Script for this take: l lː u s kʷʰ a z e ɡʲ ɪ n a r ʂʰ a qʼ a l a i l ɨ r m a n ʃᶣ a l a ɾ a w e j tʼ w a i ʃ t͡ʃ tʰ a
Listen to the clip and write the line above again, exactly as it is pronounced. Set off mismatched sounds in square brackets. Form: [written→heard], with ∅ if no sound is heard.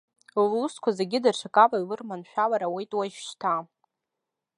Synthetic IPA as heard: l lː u s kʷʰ a z e ɡʲ ɪ [n→d] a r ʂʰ a [qʼ→kʼ] a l a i l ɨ r m a n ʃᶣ a l a ɾ a w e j tʼ w a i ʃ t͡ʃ tʰ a